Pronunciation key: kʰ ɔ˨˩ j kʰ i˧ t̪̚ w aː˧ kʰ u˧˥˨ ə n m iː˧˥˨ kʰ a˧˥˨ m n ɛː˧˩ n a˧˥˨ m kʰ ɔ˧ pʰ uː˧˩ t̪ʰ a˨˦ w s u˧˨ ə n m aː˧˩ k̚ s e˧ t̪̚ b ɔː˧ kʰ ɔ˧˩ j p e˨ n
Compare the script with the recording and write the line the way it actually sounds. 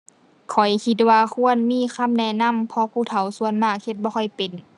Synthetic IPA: kʰ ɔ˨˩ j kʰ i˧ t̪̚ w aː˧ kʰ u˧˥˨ ə n m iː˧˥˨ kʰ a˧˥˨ m n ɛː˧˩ n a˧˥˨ m pʰ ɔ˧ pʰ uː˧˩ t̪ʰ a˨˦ w s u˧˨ ə n m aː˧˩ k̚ h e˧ t̪̚ b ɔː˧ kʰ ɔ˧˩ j p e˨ n